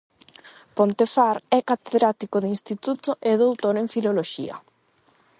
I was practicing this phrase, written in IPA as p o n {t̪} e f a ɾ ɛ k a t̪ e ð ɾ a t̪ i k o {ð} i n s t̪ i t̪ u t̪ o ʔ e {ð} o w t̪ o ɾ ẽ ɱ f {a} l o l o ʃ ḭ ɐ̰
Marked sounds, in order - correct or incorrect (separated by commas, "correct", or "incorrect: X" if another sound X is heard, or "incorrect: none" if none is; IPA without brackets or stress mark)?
correct, correct, correct, incorrect: i